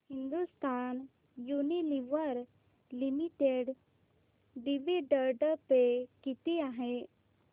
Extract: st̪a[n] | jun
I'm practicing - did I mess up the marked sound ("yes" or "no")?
no